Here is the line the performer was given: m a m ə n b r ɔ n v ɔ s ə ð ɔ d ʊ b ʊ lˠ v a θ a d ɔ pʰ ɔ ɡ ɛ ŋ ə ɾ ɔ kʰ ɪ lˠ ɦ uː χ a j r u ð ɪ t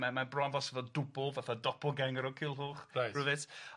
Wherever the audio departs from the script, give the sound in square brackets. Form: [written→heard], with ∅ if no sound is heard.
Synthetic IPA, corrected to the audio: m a m [ə→a] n b r ɔ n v ɔ s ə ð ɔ d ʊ b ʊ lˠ v a θ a d ɔ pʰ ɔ ɡ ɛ ŋ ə ɾ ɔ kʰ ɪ lˠ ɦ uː χ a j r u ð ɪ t